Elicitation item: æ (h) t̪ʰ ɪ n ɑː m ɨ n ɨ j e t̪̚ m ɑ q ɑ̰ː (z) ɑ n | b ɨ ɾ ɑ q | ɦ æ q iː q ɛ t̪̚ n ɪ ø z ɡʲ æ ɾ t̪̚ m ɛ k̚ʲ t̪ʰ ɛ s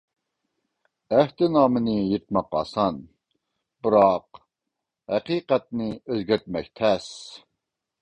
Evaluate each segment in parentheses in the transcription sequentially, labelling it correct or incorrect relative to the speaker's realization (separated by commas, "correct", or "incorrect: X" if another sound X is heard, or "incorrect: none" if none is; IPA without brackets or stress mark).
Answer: correct, incorrect: s